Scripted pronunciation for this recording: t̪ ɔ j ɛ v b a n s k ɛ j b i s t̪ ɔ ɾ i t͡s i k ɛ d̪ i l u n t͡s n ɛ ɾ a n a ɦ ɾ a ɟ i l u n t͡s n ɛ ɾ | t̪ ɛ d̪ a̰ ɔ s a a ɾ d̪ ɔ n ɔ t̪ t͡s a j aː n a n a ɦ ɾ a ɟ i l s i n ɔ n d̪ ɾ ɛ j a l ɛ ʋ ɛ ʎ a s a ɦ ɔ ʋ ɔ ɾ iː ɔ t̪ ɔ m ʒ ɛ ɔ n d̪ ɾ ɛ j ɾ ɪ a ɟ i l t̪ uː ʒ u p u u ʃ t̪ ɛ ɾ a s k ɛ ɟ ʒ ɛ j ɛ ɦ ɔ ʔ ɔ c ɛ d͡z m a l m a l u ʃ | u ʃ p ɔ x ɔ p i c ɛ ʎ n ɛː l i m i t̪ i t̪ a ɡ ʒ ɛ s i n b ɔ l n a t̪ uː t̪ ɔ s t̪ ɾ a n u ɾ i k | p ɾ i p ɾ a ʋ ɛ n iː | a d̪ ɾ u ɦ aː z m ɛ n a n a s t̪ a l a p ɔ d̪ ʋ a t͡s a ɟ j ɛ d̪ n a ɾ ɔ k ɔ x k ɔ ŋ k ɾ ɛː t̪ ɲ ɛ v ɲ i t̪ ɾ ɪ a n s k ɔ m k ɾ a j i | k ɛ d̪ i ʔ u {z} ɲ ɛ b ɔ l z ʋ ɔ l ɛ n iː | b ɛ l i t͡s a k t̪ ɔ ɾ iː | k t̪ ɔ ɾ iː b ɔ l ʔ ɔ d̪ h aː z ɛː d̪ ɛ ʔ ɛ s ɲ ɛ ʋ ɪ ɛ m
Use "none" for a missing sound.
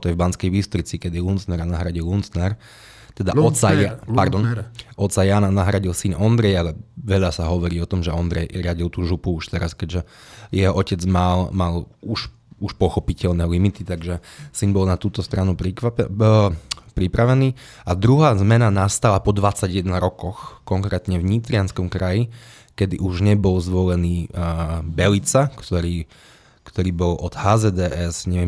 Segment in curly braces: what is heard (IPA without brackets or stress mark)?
ʒ